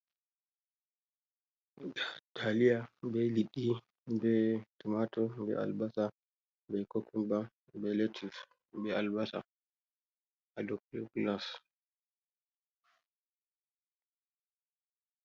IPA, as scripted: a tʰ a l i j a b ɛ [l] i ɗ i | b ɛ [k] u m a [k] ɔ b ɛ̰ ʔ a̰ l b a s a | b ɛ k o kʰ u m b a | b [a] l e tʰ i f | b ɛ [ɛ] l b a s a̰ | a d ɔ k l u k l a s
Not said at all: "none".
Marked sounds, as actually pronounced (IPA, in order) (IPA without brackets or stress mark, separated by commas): l, t, t, ɛ, a